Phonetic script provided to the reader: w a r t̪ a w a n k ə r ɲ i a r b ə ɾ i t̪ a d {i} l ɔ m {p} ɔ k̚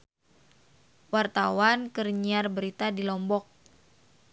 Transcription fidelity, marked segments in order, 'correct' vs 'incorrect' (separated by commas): correct, incorrect